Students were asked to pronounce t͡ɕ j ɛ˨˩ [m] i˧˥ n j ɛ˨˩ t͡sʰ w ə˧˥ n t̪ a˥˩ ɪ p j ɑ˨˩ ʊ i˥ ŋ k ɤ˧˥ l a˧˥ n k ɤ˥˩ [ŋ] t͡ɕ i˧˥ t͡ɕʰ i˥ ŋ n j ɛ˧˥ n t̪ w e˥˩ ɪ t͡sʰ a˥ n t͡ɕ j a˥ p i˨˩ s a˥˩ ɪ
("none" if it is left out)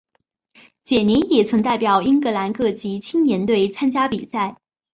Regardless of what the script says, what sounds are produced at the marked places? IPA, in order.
n, none

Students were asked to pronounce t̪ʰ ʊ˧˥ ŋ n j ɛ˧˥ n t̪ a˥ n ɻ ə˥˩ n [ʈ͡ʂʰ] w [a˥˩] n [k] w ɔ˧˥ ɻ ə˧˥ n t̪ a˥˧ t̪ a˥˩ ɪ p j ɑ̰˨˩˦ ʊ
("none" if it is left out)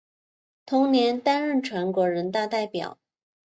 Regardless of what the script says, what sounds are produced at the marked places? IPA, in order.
ʈ͡ʂʰ, a˧˥, k

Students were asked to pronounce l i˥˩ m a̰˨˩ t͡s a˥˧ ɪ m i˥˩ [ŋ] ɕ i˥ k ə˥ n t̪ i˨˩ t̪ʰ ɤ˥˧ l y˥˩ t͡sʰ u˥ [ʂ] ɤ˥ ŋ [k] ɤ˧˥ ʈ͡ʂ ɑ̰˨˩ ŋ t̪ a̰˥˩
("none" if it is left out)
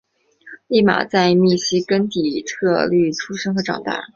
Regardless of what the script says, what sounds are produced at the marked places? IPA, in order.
none, ʂ, x

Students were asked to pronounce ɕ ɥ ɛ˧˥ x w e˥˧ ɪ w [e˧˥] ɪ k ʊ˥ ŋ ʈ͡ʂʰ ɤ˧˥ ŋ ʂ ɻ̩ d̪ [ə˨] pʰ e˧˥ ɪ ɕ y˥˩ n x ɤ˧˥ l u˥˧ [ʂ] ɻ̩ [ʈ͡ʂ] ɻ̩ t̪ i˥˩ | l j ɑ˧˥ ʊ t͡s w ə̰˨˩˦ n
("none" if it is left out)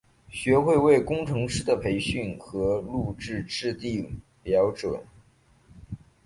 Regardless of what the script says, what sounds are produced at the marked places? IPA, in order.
e˥˩, ə˨, ʈ͡ʂ, ʈ͡ʂ

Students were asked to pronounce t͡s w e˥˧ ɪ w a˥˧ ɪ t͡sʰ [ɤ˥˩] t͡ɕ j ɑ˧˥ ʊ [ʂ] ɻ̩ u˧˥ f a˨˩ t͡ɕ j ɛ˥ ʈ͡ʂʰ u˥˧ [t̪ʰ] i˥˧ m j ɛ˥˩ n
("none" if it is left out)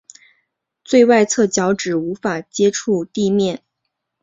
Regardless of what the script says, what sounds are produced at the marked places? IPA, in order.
ɤ˥˩, ʈ͡ʂ, t̪

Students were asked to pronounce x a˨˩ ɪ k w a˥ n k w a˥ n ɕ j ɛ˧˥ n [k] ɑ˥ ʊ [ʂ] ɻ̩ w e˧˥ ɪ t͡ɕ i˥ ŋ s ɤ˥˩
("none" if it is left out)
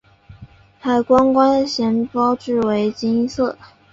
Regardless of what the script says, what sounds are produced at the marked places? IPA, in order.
p, ʈ͡ʂ

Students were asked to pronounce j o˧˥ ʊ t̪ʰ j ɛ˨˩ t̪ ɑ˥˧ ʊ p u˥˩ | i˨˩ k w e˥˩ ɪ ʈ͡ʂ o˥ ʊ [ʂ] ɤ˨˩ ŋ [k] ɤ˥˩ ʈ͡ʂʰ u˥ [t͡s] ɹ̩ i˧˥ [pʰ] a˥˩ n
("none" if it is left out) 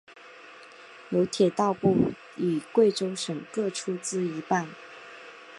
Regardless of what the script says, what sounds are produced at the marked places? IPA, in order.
ʂ, k, t͡s, p

